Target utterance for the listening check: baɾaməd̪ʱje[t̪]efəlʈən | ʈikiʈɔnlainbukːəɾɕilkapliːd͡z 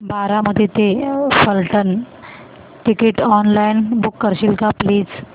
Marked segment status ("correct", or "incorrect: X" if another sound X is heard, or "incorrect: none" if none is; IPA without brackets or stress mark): correct